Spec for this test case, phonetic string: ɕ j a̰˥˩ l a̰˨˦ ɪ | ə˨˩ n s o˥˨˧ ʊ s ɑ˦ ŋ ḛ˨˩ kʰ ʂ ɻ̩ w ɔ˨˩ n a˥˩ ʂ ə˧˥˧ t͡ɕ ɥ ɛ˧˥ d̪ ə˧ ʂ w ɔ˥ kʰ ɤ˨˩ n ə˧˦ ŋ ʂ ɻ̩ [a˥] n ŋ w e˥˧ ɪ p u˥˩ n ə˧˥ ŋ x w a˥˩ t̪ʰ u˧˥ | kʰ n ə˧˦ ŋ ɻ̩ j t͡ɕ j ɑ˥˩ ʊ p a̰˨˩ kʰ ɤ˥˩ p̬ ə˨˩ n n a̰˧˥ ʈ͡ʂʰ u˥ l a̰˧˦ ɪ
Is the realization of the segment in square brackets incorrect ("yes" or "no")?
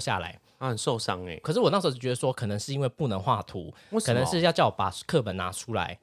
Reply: yes